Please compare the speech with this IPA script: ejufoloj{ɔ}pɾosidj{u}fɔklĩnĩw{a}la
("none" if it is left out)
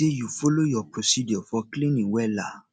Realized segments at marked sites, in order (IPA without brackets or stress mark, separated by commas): ɔ, ɔ, ɛ